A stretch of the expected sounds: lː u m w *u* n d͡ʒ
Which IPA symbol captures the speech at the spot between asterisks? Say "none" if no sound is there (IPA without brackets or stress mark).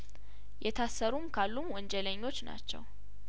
ɔ